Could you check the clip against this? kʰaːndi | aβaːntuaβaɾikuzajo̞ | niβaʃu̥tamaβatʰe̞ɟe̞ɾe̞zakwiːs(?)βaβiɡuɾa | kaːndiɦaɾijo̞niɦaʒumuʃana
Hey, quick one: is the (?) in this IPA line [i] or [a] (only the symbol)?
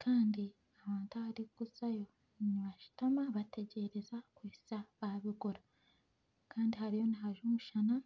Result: a